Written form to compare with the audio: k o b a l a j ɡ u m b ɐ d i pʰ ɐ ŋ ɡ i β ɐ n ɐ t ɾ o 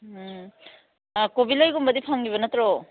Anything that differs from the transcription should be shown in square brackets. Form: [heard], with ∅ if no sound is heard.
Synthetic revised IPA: k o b [i] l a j ɡ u m b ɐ d i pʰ [a] ŋ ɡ i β ɐ n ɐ t ɾ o